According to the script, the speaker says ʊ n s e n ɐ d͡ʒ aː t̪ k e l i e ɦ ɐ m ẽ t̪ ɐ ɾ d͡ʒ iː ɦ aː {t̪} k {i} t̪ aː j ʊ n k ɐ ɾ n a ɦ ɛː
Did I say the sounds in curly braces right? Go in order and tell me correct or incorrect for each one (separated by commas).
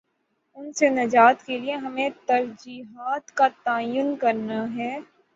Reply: correct, incorrect